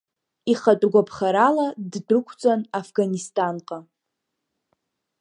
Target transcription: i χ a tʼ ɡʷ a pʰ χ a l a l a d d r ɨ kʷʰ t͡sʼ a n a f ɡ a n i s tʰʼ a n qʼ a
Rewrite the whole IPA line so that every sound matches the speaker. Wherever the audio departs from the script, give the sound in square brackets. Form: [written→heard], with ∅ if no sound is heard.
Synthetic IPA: i χ a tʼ ɡʷ a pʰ χ a [l→ɾ] a l a d d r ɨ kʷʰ t͡sʼ a n a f ɡ a n i s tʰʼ a n qʼ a